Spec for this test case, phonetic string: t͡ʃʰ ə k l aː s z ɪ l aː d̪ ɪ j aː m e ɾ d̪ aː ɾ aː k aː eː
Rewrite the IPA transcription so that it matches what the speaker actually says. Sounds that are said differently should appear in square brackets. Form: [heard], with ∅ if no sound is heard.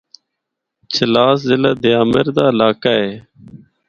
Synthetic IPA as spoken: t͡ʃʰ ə [∅] l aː s z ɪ l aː d̪ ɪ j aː m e ɾ d̪ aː [l] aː k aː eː